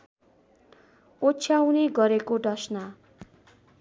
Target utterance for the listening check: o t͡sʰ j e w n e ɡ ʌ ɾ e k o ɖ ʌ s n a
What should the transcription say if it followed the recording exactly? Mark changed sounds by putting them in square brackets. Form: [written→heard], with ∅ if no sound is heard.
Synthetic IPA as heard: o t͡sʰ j [e→a] w n e ɡ ʌ ɾ e k o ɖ ʌ s n a